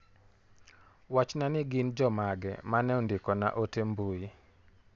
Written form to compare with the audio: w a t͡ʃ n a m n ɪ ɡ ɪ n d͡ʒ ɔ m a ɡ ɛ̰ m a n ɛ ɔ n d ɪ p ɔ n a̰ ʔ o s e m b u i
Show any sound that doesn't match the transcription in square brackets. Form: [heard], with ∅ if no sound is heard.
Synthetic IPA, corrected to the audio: w a t͡ʃ n a [∅] n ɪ ɡ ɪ n d͡ʒ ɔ m a ɡ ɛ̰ m a n ɛ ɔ n d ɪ [k] ɔ n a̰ ʔ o [t] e m b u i